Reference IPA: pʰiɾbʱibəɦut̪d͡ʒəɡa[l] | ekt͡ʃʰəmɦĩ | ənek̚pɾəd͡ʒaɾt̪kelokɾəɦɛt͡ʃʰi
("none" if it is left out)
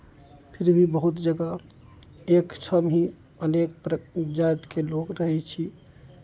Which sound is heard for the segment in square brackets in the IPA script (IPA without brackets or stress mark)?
none